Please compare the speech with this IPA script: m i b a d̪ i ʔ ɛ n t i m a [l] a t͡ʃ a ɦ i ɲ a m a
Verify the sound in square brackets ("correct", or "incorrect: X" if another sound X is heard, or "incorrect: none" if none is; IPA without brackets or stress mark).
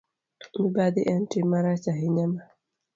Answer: incorrect: ɾ